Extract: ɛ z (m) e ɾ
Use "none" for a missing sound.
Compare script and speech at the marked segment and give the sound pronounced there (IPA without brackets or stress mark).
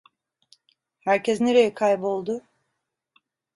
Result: n